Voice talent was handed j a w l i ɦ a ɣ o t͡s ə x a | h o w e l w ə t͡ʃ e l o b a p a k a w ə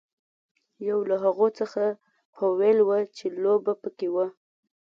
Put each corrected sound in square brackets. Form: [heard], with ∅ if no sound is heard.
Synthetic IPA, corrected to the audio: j a w l [a] ɦ a ɣ o t͡s ə x a | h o w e l w ə t͡ʃ e l o b a p [ə] k [e] w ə